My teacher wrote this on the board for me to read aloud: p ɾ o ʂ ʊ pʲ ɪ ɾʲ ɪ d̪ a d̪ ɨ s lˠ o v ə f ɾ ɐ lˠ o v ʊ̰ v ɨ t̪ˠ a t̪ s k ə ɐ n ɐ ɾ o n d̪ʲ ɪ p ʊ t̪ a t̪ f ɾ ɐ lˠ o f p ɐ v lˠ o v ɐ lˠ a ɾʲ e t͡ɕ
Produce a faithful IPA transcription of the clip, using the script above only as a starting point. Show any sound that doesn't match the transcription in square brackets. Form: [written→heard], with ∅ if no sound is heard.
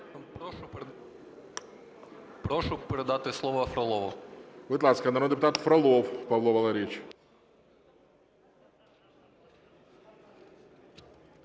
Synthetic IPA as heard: p ɾ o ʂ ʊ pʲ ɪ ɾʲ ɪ d̪ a [d̪→t̪] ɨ s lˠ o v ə f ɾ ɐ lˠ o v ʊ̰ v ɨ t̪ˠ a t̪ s k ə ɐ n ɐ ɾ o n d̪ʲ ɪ p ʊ t̪ a t̪ f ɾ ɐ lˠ o f p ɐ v lˠ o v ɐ lˠ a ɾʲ e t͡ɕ

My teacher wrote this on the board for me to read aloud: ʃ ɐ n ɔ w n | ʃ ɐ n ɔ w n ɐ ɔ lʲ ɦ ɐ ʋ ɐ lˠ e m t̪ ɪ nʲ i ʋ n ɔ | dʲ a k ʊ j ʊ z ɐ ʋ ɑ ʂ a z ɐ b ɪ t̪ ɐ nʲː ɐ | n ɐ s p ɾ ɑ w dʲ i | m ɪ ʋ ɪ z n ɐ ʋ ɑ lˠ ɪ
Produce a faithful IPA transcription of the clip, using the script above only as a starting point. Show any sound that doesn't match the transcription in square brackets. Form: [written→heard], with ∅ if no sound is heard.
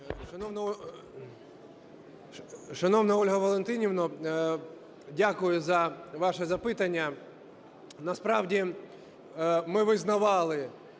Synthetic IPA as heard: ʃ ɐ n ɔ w n | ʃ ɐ n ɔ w n ɐ ɔ lʲ ɦ ɐ ʋ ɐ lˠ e [m→n] t̪ ɪ nʲ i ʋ n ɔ | dʲ a k ʊ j ʊ z ɐ ʋ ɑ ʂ [a→ɛ] z ɐ [b→p] ɪ t̪ ɐ nʲː ɐ | n ɐ s p ɾ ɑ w dʲ i | m ɪ ʋ ɪ z n ɐ ʋ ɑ lˠ ɪ

